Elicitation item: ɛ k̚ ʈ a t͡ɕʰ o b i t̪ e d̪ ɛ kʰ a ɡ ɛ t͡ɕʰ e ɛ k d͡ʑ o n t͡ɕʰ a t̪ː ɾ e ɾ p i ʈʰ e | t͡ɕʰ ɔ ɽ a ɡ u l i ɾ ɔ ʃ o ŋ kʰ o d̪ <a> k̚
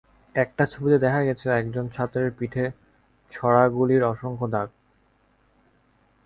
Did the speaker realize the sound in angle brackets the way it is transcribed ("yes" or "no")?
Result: yes